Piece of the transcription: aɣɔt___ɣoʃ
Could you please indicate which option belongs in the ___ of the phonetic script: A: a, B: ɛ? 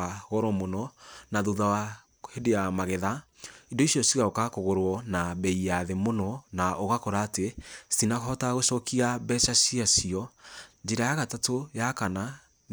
A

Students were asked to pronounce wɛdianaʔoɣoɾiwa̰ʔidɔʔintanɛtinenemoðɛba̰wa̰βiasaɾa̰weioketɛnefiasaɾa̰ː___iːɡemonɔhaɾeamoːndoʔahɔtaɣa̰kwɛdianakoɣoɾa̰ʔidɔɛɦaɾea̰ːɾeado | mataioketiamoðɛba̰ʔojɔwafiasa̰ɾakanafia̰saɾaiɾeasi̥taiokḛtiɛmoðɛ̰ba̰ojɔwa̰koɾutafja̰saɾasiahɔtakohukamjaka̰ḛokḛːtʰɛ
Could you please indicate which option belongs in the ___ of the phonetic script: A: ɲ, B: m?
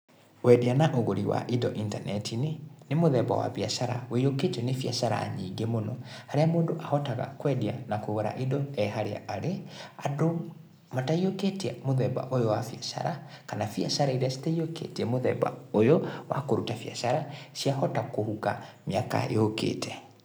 A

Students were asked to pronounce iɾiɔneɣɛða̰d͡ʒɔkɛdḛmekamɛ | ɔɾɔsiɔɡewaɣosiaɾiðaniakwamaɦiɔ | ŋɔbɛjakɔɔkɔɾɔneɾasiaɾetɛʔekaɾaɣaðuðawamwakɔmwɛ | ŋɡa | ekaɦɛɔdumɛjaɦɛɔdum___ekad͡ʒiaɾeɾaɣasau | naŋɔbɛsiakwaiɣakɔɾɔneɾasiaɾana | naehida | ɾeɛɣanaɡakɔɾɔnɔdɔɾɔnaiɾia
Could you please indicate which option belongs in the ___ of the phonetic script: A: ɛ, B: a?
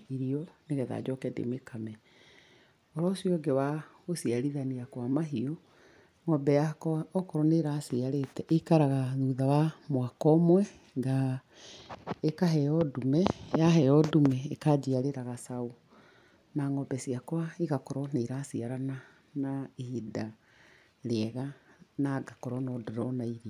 A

